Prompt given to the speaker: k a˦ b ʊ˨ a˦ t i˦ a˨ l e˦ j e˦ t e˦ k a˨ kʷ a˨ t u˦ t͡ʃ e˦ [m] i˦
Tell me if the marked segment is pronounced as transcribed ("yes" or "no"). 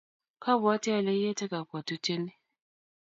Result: no